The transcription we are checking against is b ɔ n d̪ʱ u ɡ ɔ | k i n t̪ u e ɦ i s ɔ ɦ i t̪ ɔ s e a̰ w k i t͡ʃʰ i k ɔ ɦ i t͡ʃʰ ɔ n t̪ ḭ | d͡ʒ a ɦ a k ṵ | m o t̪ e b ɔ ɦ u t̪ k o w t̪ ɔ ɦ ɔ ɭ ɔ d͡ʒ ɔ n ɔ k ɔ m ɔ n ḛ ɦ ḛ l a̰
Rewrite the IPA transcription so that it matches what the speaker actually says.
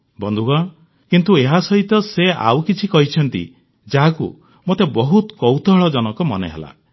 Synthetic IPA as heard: b ɔ n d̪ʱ u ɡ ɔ | k i n t̪ u e ɦ a s ɔ ɦ i t̪ ɔ s e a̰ w k i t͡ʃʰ i k ɔ ɦ i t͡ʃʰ ɔ n t̪ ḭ | d͡ʒ a ɦ a k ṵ | m o t̪ e b ɔ ɦ u t̪ k ɔ w t̪ ɔ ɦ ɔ ɭ ɔ d͡ʒ ɔ n ɔ k ɔ m ɔ n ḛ ɦ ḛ l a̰